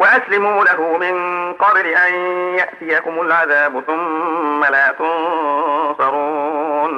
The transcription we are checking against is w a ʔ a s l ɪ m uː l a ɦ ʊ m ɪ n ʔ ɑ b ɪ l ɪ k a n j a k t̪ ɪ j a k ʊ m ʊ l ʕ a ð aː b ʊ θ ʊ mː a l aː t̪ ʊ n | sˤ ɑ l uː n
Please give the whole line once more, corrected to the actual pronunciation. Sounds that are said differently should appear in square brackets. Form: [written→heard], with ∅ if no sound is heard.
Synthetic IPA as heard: w a ʔ a s l ɪ m uː l a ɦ ʊ m ɪ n [ʔ→q] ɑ b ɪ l ɪ [k→ʔ] a n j a [k→ʔ] t̪ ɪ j a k ʊ m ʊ l ʕ a ð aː b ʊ θ ʊ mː a l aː t̪ ʊ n | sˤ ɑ [l→ɾ] uː n